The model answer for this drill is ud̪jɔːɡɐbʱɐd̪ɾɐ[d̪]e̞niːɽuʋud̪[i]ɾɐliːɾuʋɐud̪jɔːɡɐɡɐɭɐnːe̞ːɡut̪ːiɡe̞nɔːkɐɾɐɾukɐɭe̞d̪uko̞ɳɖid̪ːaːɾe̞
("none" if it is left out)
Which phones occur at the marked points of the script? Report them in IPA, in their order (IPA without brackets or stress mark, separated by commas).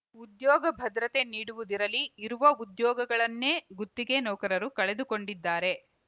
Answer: t̪, i